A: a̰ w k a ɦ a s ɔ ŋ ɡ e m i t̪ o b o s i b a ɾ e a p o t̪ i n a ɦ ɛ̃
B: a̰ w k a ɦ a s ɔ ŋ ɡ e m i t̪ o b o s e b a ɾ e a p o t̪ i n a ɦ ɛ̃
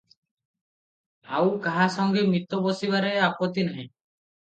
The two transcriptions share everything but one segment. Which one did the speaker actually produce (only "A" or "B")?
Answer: A